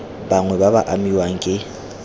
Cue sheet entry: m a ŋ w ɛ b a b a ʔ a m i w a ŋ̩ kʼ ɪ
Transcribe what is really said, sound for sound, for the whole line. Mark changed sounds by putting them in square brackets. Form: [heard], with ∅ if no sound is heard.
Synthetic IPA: [b] a ŋ w ɛ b a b a ʔ a m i w a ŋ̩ kʼ ɪ